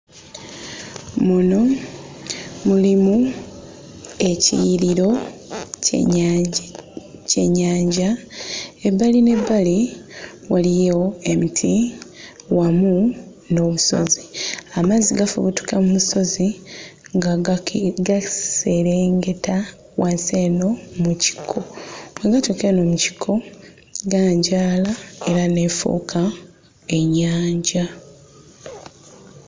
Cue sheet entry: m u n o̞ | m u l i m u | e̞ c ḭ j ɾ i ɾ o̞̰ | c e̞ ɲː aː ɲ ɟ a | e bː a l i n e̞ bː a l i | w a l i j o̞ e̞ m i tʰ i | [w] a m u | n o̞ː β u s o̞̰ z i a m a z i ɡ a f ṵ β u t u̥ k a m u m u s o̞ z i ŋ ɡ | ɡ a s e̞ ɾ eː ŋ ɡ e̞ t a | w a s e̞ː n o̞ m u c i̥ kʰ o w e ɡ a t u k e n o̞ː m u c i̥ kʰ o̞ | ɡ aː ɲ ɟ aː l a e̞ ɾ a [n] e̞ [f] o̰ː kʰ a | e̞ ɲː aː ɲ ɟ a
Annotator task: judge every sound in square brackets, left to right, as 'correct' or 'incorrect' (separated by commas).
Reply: correct, correct, correct